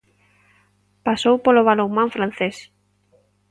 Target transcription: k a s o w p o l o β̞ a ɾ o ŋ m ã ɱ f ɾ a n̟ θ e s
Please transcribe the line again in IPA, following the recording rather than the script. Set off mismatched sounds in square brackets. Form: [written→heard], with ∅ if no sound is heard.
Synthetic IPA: [k→p] a s o w p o l o β̞ a [ɾ→l] o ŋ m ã ɱ f ɾ a n̟ θ e s